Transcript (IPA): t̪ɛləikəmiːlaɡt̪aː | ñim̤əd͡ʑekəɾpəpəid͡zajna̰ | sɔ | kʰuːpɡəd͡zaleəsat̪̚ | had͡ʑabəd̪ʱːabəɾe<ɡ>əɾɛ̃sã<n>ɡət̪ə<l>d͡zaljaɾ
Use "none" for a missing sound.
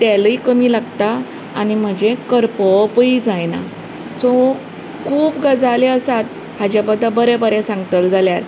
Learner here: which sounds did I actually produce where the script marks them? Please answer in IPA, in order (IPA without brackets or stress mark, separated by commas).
b, ŋ, l